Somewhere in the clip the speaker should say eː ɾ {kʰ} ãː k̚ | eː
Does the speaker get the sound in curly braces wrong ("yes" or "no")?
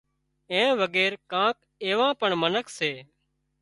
yes